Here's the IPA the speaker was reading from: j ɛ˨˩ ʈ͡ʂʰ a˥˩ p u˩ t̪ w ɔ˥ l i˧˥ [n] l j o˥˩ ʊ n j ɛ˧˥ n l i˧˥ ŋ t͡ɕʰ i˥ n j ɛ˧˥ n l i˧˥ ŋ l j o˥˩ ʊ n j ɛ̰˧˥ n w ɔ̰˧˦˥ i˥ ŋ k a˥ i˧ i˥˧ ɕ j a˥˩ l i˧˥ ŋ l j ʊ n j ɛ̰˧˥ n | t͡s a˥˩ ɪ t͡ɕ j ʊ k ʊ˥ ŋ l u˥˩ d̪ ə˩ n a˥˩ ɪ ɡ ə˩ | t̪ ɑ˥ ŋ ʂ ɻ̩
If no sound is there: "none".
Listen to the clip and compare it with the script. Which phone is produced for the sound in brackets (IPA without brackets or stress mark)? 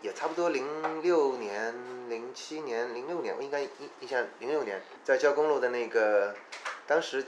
ŋ